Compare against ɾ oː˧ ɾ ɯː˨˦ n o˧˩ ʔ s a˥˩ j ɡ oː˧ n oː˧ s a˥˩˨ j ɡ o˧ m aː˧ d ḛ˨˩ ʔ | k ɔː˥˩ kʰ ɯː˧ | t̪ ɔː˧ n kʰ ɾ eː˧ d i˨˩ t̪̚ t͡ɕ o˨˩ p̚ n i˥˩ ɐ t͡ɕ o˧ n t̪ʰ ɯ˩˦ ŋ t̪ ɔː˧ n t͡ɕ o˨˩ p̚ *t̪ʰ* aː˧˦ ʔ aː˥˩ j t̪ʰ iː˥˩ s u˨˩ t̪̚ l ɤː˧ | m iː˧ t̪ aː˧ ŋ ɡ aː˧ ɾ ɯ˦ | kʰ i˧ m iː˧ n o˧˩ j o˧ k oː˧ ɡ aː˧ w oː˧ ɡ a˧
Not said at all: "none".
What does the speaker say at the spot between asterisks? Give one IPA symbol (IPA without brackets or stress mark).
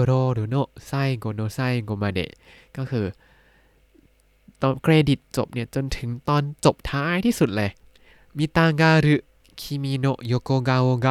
t̪ʰ